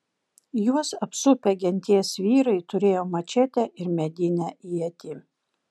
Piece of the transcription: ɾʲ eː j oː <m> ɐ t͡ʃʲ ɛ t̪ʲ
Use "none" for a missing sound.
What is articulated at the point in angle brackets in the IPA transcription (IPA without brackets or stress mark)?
m